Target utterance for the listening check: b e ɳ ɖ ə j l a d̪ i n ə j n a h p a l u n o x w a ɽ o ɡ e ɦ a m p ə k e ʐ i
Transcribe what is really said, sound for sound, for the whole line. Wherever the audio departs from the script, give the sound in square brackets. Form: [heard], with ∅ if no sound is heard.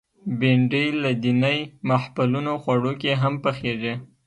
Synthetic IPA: b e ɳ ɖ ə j l a d̪ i n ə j [m] a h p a l u n o x w a ɽ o [k] e ɦ a m p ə [x] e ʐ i